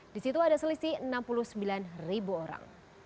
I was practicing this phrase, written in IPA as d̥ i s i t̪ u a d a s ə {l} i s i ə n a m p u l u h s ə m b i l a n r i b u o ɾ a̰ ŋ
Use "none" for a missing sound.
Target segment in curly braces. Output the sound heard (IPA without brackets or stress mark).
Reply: l